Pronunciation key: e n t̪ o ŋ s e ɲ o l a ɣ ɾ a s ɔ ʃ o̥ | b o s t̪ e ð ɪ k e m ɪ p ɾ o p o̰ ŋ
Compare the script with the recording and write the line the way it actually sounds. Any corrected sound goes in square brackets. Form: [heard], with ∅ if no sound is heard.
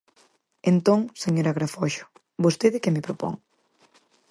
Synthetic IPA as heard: e n t̪ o ŋ s e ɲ o [ɾ] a ɣ ɾ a [f] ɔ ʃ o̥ | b o s t̪ e ð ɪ k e m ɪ p ɾ o p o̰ ŋ